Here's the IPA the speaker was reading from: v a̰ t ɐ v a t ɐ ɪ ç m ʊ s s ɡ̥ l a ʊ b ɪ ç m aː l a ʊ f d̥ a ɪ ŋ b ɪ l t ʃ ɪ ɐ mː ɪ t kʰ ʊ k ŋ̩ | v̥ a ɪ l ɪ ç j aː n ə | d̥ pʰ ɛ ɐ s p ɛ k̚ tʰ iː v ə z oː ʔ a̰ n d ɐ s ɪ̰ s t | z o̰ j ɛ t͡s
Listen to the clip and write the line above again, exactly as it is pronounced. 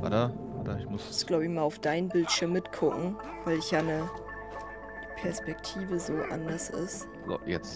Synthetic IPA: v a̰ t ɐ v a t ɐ ɪ ç m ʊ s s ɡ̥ l a ʊ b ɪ ç m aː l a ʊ f d̥ a ɪ n b ɪ l t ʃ ɪ ɐ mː ɪ t kʰ ʊ k ŋ̩ | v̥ a ɪ l ɪ ç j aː n ə | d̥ pʰ ɛ ɐ s p ɛ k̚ tʰ iː v ə z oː ʔ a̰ n d ɐ s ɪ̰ s t | z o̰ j ɛ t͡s